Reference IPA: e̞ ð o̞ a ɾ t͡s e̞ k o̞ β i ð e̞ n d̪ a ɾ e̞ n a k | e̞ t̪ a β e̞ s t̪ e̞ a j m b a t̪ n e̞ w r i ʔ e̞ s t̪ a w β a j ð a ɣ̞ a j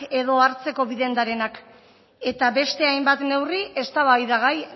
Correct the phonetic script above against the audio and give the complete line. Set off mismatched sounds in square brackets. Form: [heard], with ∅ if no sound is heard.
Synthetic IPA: e̞ ð o̞ a ɾ t͡s e̞ k o̞ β i ð e̞ n d̪ a ɾ e̞ n a k | e̞ t̪ a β e̞ s t̪ e̞ a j m b a t̪ n e̞ w r i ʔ e̞ s t̪ a [∅] β a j ð a ɣ̞ a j